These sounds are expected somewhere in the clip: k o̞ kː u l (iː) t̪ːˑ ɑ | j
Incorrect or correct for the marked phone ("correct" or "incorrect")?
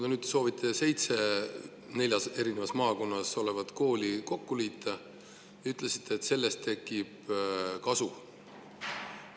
correct